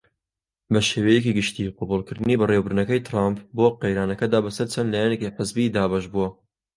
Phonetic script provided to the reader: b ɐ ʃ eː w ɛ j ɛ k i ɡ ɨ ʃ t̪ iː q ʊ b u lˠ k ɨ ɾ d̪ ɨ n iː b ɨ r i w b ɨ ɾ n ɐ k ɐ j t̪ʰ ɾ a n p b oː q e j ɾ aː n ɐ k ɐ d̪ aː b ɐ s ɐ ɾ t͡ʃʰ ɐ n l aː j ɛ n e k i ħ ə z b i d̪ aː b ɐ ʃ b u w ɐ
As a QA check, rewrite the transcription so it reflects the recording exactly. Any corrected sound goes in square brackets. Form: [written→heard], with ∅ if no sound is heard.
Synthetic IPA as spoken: b ɐ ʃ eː w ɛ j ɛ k i ɡ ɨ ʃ t̪ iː q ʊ b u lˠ k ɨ ɾ d̪ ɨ n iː b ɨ r [i→e] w b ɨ ɾ n ɐ k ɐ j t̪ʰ ɾ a [n→m] p b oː q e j ɾ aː n ɐ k ɐ d̪ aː b ɐ s ɐ ɾ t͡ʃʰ ɐ n l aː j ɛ n e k i ħ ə z b i d̪ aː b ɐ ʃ b u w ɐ